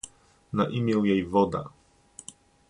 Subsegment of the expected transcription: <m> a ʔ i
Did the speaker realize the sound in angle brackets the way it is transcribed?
no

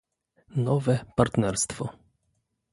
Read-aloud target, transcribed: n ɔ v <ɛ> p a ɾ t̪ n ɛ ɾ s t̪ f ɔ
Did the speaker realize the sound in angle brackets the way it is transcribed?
yes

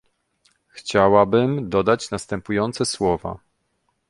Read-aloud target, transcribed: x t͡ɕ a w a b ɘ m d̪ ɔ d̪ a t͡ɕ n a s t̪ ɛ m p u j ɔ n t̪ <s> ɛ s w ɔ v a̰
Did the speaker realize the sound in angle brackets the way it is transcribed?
yes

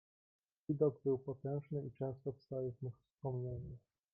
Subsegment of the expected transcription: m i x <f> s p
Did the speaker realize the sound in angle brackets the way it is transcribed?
yes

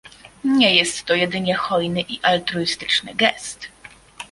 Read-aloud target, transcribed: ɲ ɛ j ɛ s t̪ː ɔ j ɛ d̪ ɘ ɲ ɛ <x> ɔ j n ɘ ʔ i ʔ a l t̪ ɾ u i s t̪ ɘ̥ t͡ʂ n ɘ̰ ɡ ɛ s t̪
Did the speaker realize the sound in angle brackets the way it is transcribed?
yes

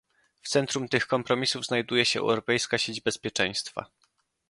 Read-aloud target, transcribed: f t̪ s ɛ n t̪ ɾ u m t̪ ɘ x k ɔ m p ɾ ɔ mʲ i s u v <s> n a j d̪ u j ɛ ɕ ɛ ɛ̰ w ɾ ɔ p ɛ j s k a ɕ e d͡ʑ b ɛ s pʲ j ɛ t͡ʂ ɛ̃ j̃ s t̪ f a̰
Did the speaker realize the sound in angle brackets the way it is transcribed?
no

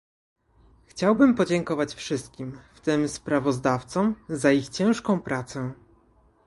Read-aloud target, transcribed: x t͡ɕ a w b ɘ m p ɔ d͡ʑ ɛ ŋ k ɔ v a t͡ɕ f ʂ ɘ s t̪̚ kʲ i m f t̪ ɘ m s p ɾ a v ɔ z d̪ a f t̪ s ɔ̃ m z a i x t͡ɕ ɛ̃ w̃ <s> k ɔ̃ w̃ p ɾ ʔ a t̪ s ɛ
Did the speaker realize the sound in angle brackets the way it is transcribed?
no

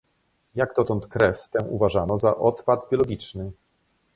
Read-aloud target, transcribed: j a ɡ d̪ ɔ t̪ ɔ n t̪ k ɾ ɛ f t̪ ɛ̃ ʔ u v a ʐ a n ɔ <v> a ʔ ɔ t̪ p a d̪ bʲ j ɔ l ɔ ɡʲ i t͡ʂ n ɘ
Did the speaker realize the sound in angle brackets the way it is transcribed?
no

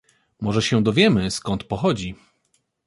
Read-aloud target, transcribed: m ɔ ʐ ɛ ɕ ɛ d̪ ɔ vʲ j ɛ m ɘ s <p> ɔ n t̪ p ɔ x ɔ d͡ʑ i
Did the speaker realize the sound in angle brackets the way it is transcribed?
no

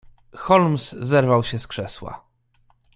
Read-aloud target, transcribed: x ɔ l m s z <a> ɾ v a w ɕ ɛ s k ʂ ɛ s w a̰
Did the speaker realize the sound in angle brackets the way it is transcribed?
no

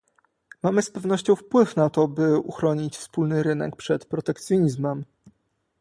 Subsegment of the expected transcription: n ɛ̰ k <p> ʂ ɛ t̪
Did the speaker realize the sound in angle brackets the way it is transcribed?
yes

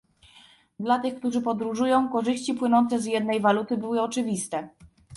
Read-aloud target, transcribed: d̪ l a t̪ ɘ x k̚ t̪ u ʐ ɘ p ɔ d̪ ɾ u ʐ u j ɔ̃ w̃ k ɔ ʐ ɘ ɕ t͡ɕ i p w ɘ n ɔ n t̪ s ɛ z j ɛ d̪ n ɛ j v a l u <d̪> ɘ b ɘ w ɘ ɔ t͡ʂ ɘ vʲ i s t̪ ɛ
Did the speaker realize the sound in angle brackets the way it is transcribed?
no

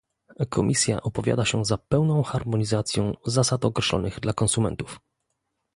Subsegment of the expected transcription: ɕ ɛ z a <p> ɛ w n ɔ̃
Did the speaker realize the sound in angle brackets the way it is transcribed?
yes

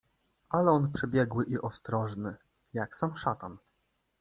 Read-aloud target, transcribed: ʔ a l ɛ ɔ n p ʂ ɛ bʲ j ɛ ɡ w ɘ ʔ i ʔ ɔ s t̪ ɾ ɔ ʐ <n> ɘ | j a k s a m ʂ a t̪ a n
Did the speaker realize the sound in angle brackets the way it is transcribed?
yes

